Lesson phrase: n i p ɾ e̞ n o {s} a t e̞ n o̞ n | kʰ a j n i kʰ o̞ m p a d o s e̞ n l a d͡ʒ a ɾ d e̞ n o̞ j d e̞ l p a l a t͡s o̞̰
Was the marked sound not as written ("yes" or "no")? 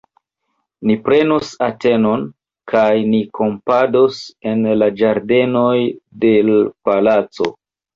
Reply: no